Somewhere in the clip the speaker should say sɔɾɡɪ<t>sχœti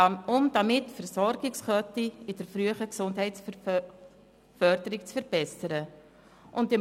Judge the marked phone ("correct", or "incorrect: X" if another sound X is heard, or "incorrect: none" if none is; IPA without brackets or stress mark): incorrect: k